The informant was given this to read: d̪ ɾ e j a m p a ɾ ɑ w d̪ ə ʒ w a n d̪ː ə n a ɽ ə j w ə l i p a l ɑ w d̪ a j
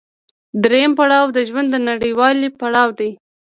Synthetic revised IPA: d̪ ɾ e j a m p a ɽ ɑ w d̪ ə ʒ w a n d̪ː ə n a ɽ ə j w ɑ l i p a ɽ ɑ w d̪ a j